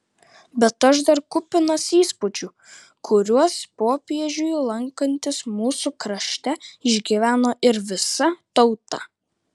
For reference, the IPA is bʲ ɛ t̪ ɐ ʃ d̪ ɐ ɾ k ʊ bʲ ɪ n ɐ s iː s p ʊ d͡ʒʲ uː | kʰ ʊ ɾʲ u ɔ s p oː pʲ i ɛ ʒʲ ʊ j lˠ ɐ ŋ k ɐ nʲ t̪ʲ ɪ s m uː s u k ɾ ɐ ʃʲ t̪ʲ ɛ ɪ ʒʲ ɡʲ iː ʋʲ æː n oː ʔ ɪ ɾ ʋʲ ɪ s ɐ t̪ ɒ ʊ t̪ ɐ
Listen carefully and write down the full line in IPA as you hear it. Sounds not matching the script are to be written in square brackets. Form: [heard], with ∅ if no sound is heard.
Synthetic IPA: bʲ ɛ t̪ ɐ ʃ d̪ ɐ ɾ k ʊ [pʲ] ɪ n ɐ s iː s p ʊ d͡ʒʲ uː | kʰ ʊ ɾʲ u ɔ s p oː pʲ i ɛ ʒʲ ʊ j lˠ ɐ ŋ k ɐ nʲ t̪ʲ ɪ s m uː s u k ɾ ɐ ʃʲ t̪ʲ ɛ ɪ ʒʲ ɡʲ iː ʋʲ æː n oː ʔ ɪ ɾ ʋʲ ɪ s ɐ t̪ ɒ ʊ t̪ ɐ

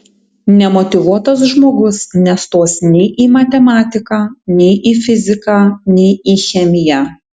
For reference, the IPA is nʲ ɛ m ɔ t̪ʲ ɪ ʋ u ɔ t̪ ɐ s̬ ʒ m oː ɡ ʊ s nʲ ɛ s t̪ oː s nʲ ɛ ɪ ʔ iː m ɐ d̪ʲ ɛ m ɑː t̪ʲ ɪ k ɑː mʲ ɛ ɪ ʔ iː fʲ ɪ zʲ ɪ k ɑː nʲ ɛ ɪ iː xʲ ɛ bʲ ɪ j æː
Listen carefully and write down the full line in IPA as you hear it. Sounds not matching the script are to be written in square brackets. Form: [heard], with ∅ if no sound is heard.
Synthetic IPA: nʲ ɛ m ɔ t̪ʲ ɪ ʋ u ɔ t̪ ɐ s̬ ʒ m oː ɡ ʊ s nʲ ɛ s t̪ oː s nʲ ɛ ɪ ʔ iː m ɐ [t̪ʲ] ɛ m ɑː t̪ʲ ɪ k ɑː [nʲ] ɛ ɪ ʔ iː fʲ ɪ zʲ ɪ k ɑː nʲ ɛ ɪ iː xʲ ɛ [mʲ] ɪ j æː

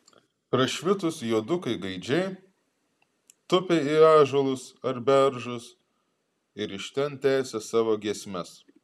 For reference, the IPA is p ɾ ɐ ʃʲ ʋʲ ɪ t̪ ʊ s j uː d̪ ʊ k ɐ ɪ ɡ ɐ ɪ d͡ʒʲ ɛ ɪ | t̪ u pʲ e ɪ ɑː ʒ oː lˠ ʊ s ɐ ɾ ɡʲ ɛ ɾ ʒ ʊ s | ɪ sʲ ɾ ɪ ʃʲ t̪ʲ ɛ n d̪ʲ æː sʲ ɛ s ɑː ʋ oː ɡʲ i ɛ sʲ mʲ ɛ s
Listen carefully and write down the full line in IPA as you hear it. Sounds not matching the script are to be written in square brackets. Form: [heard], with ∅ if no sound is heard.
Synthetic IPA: p ɾ ɐ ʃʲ ʋʲ ɪ t̪ ʊ s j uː d̪ ʊ k ɐ ɪ ɡ ɐ ɪ d͡ʒʲ ɛ ɪ | t̪ [ʊ] pʲ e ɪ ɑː ʒ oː lˠ ʊ s ɐ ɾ [bʲ] ɛ ɾ ʒ ʊ s | ɪ [∅] ɾ ɪ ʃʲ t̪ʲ ɛ n [t̪ʲ] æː sʲ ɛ s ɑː ʋ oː ɡʲ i ɛ sʲ mʲ ɛ s

